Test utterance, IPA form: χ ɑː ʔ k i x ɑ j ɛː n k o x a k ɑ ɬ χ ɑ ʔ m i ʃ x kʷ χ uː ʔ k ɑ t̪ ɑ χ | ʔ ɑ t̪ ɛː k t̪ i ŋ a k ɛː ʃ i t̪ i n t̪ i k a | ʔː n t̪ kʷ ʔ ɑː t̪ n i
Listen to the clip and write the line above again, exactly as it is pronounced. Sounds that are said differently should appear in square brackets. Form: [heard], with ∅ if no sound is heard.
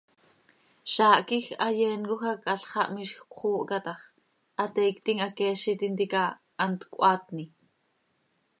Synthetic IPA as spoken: [ʃ] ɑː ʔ k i x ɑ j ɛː n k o x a k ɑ ɬ χ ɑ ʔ m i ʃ x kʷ χ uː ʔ k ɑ t̪ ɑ χ | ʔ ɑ t̪ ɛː k t̪ i ŋ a k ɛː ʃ i t̪ i n t̪ i k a | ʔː n t̪ kʷ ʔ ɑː t̪ n i